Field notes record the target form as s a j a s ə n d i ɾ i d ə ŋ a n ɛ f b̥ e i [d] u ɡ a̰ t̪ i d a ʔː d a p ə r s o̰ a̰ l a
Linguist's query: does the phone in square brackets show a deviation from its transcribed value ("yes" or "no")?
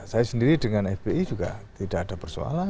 yes